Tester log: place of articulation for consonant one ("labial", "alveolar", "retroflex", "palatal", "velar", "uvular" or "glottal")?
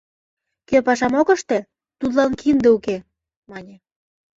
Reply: velar